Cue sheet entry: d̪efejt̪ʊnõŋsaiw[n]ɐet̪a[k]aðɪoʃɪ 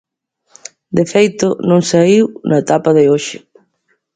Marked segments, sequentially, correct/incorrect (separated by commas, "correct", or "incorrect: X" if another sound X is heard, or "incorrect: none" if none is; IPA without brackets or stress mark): correct, incorrect: p